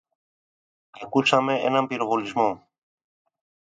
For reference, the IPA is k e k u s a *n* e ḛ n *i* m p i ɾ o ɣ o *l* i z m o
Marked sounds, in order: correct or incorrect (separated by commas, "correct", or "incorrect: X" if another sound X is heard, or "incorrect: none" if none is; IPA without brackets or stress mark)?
incorrect: m, incorrect: a, correct